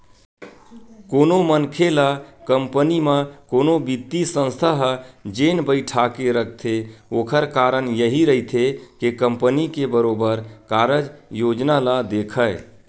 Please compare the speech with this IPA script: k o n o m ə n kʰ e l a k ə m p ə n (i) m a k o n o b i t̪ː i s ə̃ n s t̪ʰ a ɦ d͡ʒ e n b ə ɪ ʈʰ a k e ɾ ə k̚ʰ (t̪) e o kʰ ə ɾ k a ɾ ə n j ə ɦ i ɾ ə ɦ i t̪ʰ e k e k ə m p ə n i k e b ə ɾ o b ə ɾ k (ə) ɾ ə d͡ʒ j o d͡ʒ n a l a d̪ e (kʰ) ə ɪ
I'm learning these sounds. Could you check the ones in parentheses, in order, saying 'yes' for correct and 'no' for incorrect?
yes, no, no, yes

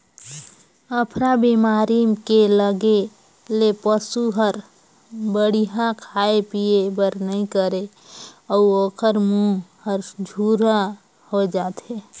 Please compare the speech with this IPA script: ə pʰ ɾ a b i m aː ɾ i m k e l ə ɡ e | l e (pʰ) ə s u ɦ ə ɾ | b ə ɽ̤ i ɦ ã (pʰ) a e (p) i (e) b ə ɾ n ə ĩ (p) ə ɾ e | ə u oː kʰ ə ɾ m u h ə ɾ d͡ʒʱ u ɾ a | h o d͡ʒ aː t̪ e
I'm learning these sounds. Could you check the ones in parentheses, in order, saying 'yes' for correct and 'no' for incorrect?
no, no, yes, yes, no

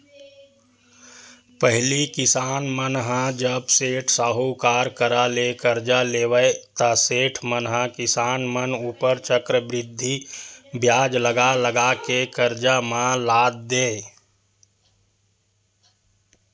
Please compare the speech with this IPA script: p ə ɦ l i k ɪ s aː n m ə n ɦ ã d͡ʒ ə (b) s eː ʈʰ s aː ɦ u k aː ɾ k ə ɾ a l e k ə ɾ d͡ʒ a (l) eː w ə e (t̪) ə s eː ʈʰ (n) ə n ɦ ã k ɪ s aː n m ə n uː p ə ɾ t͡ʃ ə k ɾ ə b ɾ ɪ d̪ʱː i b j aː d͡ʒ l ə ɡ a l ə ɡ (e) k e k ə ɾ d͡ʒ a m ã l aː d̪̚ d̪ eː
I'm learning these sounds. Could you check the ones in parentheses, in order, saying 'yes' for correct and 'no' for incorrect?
yes, yes, yes, no, no

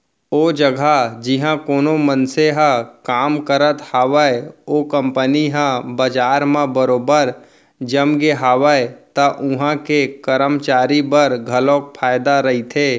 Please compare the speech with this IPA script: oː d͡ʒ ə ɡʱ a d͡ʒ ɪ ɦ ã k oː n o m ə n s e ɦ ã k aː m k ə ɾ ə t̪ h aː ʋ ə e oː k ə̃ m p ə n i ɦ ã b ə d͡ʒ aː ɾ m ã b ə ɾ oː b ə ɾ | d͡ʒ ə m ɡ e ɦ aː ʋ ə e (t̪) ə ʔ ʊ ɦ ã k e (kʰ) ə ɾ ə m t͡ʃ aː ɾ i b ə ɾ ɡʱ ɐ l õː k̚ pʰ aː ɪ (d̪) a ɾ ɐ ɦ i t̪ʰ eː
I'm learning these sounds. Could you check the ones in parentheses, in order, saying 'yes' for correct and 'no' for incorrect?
yes, no, yes

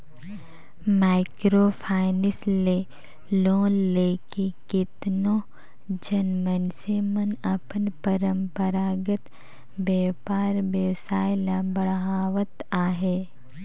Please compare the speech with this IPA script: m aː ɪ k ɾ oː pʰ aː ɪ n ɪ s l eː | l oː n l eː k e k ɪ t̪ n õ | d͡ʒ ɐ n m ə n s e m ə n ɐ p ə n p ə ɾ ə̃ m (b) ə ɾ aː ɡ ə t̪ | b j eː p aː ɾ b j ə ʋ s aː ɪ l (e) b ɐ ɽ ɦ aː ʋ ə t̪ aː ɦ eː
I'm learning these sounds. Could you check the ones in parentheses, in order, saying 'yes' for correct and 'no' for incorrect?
no, no

